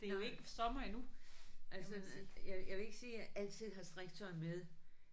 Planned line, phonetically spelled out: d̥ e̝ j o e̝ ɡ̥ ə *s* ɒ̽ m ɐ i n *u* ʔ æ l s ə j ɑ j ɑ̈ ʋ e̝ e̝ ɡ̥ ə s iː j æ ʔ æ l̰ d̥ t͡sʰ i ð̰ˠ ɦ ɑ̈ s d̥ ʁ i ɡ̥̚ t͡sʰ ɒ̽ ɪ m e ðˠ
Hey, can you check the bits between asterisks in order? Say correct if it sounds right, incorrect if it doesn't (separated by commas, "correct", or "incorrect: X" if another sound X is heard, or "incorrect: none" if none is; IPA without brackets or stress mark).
correct, correct